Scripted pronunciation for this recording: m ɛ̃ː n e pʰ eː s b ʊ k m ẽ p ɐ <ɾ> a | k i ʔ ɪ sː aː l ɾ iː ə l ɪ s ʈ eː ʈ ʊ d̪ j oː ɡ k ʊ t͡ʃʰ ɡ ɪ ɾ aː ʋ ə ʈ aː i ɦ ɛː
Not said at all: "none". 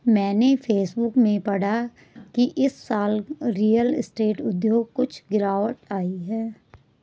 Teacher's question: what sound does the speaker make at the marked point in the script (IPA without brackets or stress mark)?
ɽ